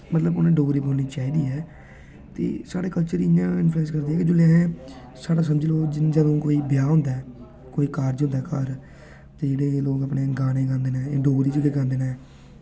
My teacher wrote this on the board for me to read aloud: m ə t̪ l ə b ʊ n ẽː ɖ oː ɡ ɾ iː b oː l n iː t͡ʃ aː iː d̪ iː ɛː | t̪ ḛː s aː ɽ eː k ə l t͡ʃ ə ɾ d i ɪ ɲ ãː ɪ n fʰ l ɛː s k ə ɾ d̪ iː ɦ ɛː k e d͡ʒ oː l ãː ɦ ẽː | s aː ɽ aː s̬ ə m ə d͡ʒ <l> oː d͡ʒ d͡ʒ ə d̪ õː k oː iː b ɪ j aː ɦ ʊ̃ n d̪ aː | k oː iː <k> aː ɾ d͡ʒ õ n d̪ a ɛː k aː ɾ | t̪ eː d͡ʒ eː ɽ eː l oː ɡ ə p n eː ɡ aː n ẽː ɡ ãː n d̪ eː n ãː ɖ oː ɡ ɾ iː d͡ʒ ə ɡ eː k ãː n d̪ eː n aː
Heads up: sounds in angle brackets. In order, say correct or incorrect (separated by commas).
correct, correct